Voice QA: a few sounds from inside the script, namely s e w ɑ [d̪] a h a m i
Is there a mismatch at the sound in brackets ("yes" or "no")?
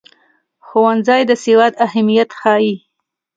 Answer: no